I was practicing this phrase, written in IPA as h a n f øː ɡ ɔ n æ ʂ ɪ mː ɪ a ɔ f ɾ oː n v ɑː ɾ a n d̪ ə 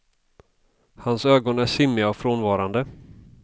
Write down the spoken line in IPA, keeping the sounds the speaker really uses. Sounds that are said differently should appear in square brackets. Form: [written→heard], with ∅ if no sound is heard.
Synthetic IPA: h a n [f→s] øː ɡ ɔ n æ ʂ ɪ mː ɪ a ɔ f ɾ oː n v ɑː ɾ a n d̪ ə